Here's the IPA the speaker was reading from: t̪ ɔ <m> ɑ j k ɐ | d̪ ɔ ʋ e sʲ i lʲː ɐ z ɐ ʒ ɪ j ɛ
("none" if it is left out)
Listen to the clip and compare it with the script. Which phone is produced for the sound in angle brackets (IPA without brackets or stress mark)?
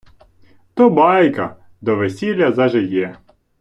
b